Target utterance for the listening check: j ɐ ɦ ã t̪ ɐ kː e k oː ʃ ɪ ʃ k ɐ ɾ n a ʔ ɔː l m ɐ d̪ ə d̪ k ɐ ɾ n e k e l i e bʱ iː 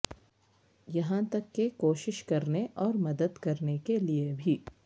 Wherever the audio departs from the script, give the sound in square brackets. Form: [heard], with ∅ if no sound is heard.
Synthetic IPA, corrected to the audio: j ɐ ɦ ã t̪ ɐ kː e k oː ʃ ɪ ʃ k ɐ ɾ n [e] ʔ ɔː [ɾ] m ɐ d̪ ə d̪ k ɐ ɾ n e k e l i e bʱ iː